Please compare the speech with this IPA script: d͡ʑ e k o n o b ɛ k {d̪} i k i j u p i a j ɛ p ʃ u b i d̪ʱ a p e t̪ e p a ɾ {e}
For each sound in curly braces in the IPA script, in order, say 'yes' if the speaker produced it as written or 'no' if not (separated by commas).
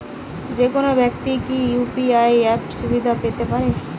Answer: no, yes